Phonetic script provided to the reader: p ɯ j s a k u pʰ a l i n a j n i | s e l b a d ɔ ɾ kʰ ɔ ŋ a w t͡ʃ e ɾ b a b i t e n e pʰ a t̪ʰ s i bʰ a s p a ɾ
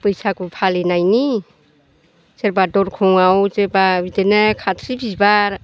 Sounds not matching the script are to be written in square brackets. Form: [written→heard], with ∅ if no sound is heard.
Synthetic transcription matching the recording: p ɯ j s a k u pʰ a l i n a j n i | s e [l→ɾ] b a d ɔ ɾ kʰ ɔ ŋ a w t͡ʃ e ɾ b a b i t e n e [pʰ→kʰ] a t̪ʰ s i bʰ [a→i] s [p→b] a ɾ